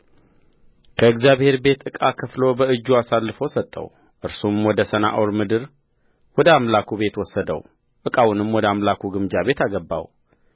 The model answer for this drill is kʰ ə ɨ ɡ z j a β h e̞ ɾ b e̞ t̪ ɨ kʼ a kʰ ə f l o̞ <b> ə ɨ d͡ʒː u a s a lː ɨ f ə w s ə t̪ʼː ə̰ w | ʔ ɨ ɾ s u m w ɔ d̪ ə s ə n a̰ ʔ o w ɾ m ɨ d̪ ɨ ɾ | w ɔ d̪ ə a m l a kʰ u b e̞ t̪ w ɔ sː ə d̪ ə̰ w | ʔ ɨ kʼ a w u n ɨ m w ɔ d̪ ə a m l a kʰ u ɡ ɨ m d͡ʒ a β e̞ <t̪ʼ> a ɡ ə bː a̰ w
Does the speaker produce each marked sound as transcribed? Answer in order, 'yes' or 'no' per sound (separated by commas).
yes, no